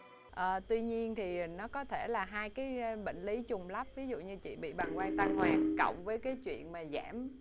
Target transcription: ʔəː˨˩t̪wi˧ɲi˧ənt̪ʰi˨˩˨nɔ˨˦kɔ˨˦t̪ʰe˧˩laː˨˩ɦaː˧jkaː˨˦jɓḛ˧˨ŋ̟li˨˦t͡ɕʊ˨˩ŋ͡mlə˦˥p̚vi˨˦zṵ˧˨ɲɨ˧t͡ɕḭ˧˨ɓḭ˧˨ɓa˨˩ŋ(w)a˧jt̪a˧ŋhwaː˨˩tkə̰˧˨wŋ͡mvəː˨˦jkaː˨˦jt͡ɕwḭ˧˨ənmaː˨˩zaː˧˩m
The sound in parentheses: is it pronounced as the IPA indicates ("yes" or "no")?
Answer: yes